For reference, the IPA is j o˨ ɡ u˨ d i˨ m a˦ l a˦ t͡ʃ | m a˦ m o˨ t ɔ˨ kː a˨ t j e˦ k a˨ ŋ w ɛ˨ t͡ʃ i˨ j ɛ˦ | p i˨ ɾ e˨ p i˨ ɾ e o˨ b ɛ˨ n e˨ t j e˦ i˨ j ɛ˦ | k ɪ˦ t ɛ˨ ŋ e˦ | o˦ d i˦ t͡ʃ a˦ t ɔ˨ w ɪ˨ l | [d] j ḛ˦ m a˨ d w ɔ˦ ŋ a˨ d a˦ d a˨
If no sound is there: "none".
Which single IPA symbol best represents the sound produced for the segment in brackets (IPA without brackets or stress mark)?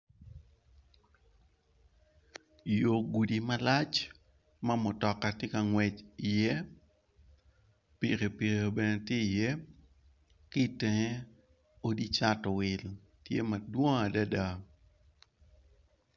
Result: t